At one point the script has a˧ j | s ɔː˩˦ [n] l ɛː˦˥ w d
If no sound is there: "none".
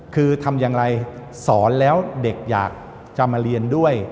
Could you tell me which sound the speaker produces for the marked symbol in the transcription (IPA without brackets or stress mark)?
n